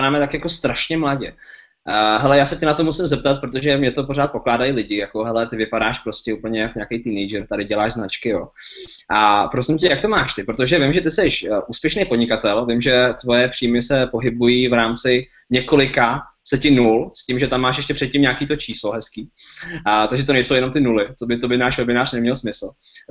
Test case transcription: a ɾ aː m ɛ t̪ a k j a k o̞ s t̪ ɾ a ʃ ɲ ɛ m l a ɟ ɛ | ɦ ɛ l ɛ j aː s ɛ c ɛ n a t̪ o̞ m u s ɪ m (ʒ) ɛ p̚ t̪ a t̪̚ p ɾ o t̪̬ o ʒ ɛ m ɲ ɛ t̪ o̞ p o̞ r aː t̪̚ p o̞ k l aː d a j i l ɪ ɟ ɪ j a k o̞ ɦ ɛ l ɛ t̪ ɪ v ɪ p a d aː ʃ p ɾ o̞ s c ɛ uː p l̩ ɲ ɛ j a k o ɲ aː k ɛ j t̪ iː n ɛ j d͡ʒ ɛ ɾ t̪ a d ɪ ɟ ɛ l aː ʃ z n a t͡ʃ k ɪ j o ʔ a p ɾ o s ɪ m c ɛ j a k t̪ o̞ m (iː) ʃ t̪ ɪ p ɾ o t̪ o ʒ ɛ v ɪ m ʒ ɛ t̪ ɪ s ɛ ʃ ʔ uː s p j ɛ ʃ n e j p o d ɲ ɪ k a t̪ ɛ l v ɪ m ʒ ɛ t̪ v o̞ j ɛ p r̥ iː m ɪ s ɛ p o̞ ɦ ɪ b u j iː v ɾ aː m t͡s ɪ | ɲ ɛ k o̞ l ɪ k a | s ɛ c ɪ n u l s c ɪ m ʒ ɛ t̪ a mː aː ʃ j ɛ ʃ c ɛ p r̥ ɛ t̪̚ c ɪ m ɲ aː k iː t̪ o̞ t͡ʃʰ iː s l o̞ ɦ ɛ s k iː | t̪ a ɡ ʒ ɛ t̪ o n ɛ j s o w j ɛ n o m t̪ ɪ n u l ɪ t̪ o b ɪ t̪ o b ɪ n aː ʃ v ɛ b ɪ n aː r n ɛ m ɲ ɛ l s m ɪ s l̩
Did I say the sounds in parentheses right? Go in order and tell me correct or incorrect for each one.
incorrect: z, incorrect: aː

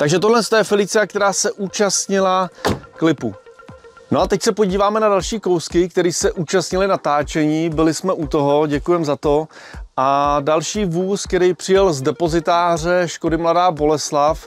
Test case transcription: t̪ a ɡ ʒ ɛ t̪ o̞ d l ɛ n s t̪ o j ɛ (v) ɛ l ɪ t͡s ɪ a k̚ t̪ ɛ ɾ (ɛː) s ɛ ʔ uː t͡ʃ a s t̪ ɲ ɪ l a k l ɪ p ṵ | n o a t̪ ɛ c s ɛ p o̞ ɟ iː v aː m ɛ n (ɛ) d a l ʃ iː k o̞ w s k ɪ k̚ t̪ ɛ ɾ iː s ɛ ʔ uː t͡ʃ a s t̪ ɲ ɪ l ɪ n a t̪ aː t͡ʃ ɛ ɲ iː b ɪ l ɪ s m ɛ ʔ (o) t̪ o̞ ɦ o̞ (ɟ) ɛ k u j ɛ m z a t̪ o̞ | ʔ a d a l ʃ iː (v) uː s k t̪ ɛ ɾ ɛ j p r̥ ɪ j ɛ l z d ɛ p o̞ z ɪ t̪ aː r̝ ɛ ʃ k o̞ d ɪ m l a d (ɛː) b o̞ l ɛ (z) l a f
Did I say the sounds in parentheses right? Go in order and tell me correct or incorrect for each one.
incorrect: f, incorrect: aː, incorrect: a, incorrect: u, correct, correct, incorrect: aː, incorrect: s

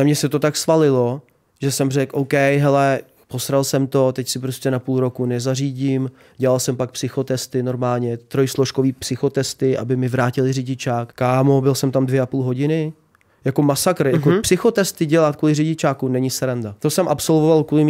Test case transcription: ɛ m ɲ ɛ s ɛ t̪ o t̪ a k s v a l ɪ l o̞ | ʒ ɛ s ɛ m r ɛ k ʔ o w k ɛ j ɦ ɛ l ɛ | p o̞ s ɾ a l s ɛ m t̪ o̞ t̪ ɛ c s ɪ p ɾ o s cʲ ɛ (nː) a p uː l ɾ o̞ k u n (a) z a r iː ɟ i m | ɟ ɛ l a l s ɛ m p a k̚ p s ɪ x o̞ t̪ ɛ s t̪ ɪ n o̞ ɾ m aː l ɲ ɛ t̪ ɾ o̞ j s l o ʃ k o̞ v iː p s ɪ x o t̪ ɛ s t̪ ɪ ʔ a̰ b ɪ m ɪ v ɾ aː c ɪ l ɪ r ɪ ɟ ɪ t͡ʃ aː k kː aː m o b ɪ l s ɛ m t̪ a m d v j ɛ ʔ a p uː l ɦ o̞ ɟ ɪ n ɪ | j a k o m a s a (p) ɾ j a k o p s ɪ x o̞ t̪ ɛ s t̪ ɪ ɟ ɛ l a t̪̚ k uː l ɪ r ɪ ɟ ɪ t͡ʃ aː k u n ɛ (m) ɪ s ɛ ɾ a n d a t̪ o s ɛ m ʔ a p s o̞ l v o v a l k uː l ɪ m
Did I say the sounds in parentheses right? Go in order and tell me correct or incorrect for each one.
incorrect: n, incorrect: ɛ, incorrect: k, incorrect: ɲ

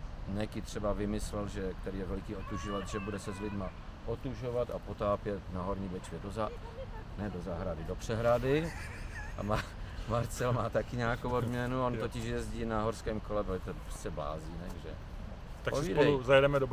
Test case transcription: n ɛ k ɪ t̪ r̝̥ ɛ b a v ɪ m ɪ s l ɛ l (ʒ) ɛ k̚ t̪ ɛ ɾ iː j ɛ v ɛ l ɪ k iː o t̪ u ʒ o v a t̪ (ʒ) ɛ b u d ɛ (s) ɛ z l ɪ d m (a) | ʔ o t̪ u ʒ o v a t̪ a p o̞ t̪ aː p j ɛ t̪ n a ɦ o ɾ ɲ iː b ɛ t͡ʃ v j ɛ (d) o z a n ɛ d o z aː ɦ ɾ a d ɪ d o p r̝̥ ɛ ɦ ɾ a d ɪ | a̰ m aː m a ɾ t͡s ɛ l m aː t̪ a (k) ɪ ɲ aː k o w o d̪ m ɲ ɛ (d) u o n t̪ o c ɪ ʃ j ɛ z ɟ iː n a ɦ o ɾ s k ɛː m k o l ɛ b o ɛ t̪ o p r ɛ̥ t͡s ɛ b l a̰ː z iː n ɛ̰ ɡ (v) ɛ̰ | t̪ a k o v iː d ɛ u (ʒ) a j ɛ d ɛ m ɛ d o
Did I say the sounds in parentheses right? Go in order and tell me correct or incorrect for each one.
correct, correct, correct, correct, correct, correct, incorrect: n, incorrect: ʒ, incorrect: z

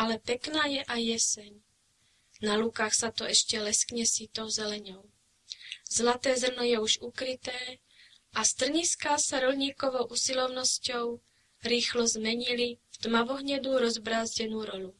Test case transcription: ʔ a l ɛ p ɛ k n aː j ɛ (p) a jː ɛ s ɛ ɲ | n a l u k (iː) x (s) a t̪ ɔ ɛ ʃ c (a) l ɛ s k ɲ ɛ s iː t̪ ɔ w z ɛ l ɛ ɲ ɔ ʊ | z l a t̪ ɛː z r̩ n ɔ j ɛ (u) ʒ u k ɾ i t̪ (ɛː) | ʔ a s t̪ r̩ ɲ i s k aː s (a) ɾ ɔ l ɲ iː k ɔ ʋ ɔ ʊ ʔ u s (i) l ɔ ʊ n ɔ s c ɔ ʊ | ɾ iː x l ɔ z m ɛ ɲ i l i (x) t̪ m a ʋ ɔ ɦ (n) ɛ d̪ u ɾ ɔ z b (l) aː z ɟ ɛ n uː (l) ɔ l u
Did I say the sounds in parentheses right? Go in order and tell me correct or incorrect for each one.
incorrect: ʔ, incorrect: aː, correct, incorrect: ɛ, correct, correct, correct, correct, incorrect: f, incorrect: ɲ, incorrect: ɾ, incorrect: ɾ

